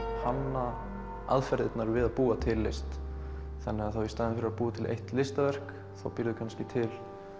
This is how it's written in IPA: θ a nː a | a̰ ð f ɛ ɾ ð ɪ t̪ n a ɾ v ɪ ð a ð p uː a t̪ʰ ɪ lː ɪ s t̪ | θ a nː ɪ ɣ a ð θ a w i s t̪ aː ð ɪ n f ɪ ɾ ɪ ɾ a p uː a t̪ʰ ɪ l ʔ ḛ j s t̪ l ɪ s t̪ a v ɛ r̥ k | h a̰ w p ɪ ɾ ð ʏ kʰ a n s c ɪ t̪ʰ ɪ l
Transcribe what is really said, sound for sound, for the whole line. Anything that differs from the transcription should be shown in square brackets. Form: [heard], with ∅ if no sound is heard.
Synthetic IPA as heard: [h] a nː a | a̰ ð f ɛ ɾ ð ɪ t̪ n a ɾ v ɪ ð a ð p uː a t̪ʰ ɪ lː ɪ s t̪ | θ a nː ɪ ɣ a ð θ a w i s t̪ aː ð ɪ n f ɪ ɾ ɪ ɾ a p uː a t̪ʰ ɪ l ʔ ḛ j [h] t̪ l ɪ s t̪ a v ɛ r̥ k | [θ] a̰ w p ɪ ɾ ð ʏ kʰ a n s c ɪ t̪ʰ ɪ l